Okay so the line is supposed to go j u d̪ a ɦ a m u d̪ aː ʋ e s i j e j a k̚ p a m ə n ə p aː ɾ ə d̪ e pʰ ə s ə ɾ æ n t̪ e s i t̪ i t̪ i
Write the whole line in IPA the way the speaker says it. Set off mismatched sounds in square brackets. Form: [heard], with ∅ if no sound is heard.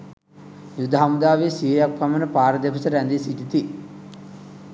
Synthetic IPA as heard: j u d̪ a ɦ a m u d̪ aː ʋ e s i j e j a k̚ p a m ə n ə p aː ɾ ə d̪ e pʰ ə s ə ɾ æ n [d̪] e s i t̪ i t̪ i